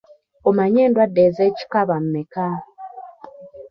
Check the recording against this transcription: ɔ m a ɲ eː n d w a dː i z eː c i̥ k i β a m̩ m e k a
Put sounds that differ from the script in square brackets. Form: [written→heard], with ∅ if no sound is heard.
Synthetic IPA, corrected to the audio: [ɔ→o] m a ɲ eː n d w a dː [i→e] z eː c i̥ k [i→a] β a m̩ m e k a